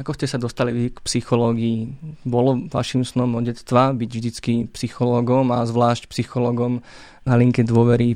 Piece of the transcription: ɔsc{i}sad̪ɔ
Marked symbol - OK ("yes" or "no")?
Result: no